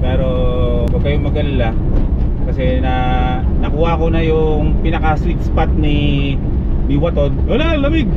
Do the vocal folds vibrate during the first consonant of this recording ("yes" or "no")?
no